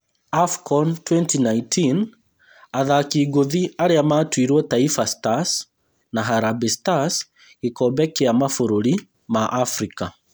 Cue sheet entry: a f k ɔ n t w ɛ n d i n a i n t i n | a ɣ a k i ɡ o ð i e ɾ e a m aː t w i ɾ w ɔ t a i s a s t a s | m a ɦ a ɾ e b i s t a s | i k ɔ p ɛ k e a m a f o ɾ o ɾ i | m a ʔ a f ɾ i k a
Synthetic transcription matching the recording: a f k ɔ n t w ɛ n t i n a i n t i n | a ð a k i ɡ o ð i a ɾ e a m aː t w i ɾ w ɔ t a i f a s t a s | n a ɦ a ɾ a b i s t a s | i k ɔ b ɛ k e a m a f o ɾ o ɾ i | m a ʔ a f ɾ i k a